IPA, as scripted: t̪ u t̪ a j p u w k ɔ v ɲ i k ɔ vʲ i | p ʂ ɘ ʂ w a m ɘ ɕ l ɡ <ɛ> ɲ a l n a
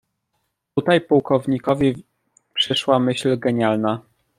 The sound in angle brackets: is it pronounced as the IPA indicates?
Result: yes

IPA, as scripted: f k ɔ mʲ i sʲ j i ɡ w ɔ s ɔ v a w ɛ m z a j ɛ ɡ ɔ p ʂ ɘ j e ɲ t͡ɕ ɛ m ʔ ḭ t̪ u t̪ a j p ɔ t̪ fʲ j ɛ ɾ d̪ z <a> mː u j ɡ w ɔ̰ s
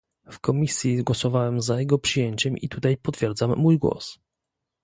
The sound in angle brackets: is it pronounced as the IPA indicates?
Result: yes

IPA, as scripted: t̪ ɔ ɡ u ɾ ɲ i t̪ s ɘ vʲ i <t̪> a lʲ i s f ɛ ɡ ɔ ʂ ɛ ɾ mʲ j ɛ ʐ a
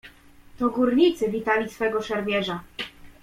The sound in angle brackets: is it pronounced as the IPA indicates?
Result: yes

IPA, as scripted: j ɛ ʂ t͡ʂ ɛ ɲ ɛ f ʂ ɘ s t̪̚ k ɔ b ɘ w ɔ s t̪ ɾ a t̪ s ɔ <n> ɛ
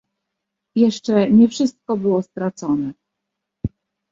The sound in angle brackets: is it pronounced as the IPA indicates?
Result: yes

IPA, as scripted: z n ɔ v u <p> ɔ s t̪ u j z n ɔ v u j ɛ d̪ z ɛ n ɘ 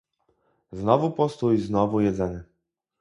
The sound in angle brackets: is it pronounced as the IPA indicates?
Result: yes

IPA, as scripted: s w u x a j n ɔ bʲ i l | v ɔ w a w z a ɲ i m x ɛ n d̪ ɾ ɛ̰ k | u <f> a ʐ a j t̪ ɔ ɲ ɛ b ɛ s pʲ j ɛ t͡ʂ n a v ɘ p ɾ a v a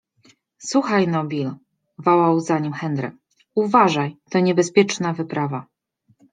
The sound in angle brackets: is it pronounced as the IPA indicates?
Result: no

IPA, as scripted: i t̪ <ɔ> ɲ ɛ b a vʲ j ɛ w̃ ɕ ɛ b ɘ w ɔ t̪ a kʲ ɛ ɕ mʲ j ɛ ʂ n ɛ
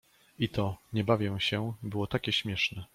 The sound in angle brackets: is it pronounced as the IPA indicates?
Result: yes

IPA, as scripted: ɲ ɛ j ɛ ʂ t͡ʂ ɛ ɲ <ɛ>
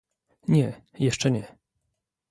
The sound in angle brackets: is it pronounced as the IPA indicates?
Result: yes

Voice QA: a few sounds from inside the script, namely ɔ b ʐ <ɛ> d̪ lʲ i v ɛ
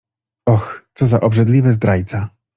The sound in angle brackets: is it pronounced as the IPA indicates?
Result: yes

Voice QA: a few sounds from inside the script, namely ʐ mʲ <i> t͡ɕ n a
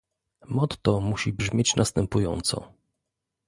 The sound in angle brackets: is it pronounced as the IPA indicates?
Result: no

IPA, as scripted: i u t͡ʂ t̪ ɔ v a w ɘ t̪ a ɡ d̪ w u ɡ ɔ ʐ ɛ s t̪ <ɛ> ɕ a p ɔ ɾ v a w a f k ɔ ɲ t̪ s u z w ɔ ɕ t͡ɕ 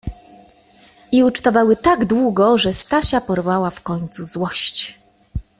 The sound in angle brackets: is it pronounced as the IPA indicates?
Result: no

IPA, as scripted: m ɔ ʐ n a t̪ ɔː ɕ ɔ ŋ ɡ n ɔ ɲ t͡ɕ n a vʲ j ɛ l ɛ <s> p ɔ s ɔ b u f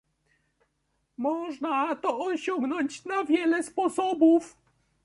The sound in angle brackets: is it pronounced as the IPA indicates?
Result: yes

